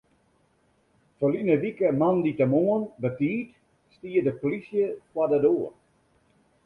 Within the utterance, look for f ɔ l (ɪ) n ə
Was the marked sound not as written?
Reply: yes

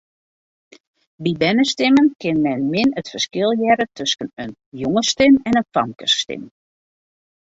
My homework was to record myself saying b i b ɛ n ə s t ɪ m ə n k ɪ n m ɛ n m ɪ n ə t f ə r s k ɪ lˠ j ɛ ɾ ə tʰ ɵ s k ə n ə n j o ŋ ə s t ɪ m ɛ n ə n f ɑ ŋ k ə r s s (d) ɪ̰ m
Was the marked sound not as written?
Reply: yes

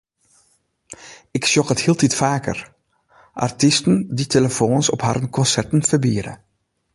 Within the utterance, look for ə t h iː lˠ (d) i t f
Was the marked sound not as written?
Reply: yes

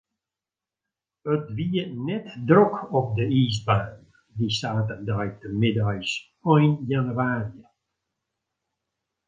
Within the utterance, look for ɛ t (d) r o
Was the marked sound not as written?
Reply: no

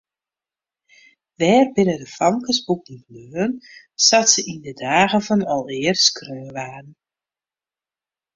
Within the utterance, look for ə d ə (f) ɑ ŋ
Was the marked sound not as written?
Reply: no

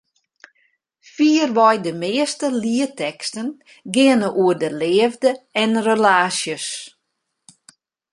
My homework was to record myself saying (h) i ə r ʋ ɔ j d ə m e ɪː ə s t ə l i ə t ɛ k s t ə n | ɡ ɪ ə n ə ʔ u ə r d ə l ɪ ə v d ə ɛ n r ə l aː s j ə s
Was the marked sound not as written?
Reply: yes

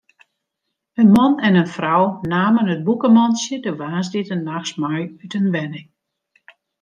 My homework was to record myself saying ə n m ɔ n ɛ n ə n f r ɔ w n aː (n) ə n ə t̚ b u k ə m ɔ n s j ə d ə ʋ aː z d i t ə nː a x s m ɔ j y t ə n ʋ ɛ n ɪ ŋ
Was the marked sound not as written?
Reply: yes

